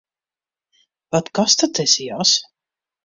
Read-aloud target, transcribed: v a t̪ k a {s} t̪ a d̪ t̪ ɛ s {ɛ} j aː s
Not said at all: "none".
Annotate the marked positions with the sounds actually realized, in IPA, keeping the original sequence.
s, i

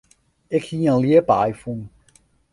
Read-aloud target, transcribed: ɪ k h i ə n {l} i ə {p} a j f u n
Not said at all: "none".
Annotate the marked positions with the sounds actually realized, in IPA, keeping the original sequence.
l, p

